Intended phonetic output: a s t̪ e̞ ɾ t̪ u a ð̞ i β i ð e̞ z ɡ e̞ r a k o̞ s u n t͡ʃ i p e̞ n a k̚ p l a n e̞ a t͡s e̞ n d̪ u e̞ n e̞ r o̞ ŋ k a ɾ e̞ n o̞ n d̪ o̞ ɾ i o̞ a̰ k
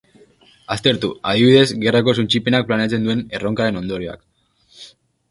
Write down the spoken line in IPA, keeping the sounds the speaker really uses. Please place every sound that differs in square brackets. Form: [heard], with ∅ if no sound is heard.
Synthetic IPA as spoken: a s t̪ e̞ ɾ t̪ u a ð̞ i β i ð e̞ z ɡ e̞ r a k o̞ s u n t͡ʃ i p e̞ n a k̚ p l a n e̞ a t͡s e̞ n d̪ u e̞ n e̞ r o̞ ŋ k a ɾ e̞ n o̞ n d̪ o̞ ɾ i o̞ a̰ k